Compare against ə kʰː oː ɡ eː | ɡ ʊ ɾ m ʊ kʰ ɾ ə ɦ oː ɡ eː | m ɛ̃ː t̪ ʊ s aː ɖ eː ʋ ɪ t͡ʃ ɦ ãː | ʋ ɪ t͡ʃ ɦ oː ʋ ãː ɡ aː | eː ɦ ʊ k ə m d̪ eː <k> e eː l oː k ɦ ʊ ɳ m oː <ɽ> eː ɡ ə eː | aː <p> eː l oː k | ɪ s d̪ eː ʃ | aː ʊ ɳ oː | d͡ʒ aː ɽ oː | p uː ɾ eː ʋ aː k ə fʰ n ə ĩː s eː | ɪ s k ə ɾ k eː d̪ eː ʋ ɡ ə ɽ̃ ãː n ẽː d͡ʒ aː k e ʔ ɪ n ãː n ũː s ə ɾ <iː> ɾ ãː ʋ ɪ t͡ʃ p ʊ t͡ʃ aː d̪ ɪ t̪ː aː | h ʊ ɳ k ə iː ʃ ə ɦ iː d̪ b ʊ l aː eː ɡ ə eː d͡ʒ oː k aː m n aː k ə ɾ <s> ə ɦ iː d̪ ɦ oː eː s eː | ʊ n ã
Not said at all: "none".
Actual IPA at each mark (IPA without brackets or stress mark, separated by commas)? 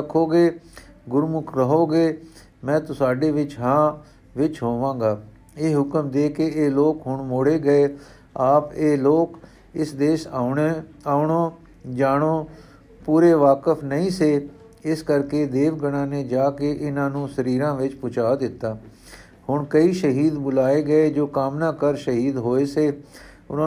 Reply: k, ɽ, p, iː, ʃ